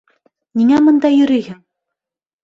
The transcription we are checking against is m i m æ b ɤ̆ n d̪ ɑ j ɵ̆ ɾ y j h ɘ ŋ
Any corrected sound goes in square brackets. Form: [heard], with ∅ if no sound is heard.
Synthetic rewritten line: [n] i [ŋ] æ [m] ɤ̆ n d̪ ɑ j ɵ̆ ɾ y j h ɘ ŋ